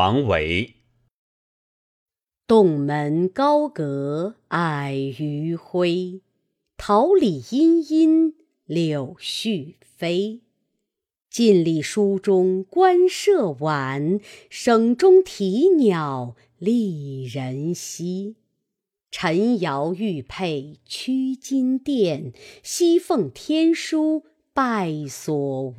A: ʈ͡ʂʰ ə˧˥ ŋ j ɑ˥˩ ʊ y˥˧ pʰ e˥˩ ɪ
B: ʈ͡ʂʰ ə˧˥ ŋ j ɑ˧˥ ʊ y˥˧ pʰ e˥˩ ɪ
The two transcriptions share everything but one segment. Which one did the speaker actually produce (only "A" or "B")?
B